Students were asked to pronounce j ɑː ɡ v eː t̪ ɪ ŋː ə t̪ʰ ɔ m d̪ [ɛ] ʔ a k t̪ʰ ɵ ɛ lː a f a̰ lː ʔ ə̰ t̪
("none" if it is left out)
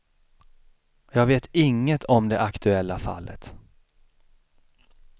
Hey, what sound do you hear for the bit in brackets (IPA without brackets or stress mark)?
ɛ